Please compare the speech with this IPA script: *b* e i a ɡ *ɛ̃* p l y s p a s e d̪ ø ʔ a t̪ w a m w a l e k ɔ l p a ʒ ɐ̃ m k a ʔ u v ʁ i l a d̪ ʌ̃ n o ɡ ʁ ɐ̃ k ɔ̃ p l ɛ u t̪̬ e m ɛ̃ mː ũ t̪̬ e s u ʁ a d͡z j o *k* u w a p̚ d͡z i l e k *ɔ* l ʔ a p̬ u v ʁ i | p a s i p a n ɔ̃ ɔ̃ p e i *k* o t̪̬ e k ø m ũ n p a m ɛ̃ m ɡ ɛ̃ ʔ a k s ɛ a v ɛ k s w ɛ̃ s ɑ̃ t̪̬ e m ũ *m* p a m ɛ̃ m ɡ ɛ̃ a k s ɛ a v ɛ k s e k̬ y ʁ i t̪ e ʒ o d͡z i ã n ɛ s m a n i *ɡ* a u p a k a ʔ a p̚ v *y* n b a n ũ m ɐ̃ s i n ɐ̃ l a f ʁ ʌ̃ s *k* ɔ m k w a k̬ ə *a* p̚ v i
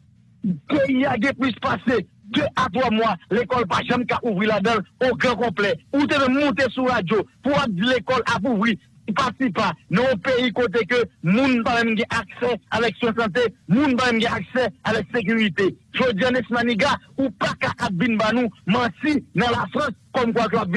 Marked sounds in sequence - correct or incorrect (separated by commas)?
incorrect, correct, incorrect, correct, correct, incorrect, correct, incorrect, correct, correct